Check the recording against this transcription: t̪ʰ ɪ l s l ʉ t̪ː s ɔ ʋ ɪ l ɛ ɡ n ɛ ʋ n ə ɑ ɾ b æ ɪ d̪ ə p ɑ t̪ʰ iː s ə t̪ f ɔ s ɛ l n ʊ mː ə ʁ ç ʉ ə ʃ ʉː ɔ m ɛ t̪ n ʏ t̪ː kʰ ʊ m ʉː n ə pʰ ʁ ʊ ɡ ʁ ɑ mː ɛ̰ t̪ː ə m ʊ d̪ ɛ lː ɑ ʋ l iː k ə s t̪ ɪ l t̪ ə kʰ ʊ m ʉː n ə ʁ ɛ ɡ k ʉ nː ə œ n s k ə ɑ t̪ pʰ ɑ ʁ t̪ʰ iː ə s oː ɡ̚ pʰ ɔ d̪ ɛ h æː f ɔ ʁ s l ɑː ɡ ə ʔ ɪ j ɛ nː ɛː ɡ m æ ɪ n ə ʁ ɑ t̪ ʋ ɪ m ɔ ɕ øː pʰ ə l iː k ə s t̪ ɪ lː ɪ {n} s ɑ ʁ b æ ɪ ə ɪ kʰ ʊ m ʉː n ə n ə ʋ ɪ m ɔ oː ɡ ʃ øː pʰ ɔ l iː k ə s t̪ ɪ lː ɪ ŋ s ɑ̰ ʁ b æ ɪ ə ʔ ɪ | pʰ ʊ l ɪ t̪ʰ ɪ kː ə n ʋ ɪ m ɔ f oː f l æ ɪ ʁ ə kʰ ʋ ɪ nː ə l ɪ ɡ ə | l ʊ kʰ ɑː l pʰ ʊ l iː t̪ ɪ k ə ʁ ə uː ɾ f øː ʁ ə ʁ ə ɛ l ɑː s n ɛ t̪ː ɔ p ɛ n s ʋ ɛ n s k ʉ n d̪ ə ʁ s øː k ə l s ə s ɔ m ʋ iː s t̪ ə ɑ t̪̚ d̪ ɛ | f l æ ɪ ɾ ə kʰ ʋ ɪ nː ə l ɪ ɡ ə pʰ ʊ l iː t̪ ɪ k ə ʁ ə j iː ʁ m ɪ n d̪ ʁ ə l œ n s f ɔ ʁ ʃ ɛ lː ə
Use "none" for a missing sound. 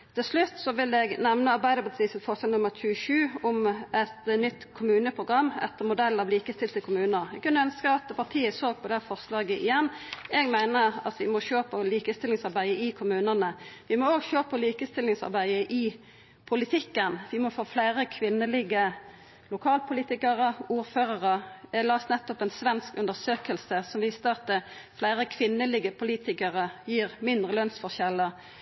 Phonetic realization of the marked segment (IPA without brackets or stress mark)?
ŋ